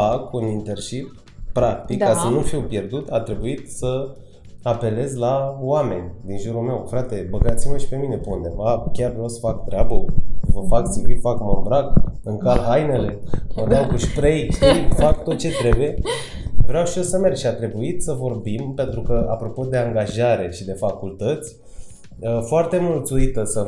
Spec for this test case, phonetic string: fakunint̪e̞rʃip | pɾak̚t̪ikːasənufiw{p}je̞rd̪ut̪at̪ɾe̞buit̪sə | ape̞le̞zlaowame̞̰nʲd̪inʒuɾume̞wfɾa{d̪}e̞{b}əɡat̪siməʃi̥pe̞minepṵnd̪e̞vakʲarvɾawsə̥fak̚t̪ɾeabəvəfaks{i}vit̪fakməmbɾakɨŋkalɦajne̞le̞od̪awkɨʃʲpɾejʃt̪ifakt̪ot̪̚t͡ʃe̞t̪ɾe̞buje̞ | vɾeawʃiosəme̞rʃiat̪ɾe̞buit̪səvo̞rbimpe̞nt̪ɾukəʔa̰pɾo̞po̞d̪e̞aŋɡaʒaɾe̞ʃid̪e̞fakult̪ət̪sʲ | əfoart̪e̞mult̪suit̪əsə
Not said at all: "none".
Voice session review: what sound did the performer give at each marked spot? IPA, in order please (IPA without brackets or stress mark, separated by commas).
p, t̪, b, i